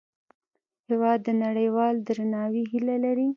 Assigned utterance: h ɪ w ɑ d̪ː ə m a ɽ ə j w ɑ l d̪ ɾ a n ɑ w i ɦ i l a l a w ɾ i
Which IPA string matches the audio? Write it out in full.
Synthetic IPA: h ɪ w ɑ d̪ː ə n a ɽ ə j w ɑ l d̪ ɾ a n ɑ w i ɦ i l a l a ɾ i